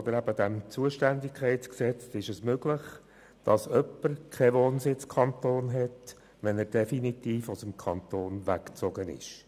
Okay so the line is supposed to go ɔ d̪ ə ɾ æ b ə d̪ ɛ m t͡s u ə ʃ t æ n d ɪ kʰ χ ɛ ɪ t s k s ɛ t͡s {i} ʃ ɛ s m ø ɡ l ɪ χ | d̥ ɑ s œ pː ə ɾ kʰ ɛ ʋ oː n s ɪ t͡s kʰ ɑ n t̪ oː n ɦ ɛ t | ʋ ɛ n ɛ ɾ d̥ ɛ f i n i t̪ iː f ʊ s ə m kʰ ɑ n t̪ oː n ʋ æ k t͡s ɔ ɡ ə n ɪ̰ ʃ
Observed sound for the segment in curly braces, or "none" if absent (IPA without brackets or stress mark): ɪ